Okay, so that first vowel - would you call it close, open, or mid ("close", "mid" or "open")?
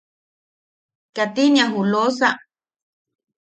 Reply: open